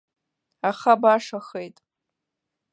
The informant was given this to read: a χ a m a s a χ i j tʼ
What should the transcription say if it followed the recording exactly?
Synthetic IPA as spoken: a χ a b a ʂ a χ e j tʼ